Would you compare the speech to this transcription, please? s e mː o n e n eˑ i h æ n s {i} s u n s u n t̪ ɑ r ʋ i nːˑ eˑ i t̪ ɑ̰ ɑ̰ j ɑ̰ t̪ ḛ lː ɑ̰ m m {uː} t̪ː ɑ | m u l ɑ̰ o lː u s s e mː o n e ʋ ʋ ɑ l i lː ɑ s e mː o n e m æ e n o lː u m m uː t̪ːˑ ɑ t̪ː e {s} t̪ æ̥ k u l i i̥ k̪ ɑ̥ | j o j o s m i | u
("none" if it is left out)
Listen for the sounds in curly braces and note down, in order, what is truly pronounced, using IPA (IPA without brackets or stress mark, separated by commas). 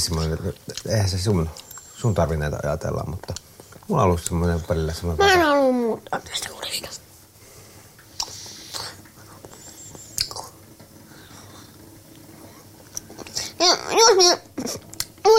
e, u, s